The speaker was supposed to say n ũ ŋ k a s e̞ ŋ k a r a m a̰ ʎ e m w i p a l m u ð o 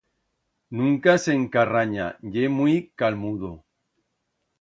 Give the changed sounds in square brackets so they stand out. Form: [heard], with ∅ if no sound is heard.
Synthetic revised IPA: n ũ ŋ k a s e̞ ŋ k a r a [ɲ] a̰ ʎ e m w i [k] a l m u ð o